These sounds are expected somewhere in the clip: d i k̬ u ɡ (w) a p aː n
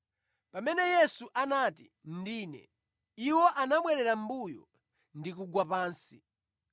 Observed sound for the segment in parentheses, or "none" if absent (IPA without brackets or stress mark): w